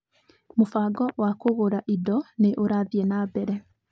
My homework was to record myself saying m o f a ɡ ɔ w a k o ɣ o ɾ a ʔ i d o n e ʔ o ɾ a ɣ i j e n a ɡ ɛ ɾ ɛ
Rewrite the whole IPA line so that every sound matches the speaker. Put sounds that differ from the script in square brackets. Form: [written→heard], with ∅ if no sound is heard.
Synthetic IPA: m o f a ɡ ɔ w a k o ɣ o ɾ a ʔ i d [o→ɔ] n e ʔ o ɾ a [ɣ→ð] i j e n a [ɡ→b] ɛ ɾ ɛ